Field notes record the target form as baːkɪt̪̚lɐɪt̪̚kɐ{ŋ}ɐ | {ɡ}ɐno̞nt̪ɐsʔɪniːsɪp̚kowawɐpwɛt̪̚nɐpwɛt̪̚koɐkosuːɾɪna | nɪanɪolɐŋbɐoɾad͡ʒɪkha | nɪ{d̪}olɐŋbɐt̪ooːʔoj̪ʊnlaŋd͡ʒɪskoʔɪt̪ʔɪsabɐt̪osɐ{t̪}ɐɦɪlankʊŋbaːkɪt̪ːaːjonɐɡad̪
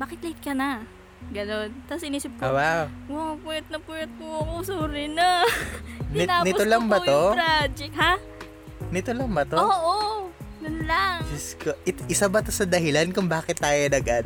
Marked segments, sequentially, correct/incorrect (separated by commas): incorrect, correct, incorrect, incorrect